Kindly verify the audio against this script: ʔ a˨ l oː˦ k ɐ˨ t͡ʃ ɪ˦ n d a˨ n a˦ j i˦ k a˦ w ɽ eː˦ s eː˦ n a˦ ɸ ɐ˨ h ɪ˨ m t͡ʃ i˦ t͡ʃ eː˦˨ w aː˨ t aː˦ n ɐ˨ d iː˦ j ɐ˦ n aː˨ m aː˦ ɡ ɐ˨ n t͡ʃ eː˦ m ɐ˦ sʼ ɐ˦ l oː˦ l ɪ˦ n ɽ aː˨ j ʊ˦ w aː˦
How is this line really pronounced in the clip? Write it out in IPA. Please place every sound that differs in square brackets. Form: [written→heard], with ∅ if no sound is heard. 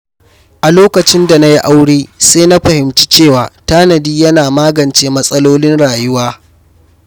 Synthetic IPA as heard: ʔ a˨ l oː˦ k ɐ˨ t͡ʃ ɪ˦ n d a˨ n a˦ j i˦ [k→ʔ] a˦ w ɽ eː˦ s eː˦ n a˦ ɸ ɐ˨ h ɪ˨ m t͡ʃ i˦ t͡ʃ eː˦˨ w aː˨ t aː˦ n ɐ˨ d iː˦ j ɐ˦ n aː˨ m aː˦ ɡ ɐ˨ n t͡ʃ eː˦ m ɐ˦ sʼ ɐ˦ l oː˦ l ɪ˦ n ɽ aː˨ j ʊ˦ w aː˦